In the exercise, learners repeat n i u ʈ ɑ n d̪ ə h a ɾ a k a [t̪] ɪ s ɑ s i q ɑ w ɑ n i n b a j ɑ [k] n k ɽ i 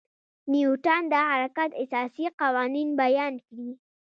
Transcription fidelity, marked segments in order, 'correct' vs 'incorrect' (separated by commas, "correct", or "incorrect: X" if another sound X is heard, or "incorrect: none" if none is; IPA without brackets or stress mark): correct, incorrect: none